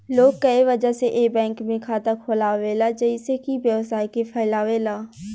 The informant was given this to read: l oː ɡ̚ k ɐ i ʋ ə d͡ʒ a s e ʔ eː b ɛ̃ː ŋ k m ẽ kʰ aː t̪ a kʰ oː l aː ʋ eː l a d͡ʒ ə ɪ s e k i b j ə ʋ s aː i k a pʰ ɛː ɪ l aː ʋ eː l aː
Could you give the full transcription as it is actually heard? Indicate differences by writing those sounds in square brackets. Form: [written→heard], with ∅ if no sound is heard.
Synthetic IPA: l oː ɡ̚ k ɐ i ʋ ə d͡ʒ a s e ʔ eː b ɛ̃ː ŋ k m ẽ kʰ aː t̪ a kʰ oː l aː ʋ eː l a d͡ʒ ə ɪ s e k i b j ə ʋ s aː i k [a→e] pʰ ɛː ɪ l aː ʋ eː l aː